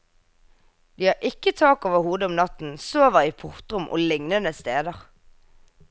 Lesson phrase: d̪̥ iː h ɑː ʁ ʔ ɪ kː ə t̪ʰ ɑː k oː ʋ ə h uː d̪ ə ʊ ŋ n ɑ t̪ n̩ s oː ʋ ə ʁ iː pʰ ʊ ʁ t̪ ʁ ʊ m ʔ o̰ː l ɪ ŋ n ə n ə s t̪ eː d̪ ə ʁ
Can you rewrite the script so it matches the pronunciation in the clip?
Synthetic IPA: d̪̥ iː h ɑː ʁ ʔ ɪ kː ə t̪ʰ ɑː k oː ʋ ə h uː d̪ ə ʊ m n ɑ t̪ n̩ s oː ʋ ə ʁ iː pʰ ʊ ʁ t̪ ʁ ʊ m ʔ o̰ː l ɪ ŋ n ə n ə s t̪ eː d̪ ə ʁ